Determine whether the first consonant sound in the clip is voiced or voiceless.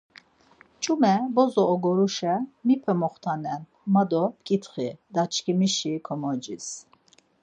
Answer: voiceless